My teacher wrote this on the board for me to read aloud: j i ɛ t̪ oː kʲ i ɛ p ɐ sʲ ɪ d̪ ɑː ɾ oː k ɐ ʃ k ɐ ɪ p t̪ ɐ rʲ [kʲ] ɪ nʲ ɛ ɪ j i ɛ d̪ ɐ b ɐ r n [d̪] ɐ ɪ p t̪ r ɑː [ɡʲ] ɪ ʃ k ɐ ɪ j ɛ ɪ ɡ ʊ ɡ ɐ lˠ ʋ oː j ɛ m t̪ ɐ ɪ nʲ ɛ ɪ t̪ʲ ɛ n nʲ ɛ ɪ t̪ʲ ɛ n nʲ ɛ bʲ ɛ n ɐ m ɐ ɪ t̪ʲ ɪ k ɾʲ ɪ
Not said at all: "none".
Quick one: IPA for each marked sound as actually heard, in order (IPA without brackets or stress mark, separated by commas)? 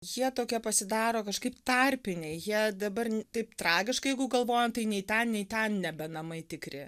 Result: pʲ, t̪, ɡʲ